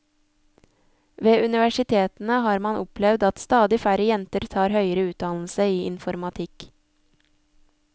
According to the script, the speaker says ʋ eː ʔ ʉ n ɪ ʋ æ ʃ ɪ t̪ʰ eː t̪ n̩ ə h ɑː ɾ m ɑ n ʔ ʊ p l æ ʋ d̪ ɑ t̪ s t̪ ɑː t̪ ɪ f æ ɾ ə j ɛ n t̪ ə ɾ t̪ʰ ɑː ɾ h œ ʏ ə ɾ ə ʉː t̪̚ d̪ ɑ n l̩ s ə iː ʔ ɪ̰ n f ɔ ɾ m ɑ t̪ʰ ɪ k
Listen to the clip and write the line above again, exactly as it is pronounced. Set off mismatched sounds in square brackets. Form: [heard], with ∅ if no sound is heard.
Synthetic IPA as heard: ʋ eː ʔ ʉ n ɪ ʋ æ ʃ ɪ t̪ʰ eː t̪ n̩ ə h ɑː ɾ m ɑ n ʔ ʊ p l [ɛ] ʋ d̪ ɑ t̪ s t̪ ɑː [d̪] ɪ f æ ɾ ə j ɛ n t̪ ə ɾ t̪ʰ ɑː ɾ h œ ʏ ə ɾ ə ʉː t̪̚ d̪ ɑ n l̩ s ə iː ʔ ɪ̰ n f ɔ ɾ m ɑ t̪ʰ ɪ k